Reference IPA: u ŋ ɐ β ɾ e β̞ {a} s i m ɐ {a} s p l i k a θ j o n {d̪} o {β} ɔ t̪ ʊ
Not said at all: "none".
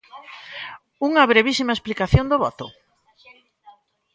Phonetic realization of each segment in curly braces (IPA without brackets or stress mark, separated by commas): i, e, d̪, β